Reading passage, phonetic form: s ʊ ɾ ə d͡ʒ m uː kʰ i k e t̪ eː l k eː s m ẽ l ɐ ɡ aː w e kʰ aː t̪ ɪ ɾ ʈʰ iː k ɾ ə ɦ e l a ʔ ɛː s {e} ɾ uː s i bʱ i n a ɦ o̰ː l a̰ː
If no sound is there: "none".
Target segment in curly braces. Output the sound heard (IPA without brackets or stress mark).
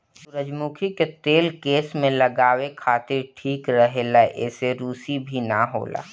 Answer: e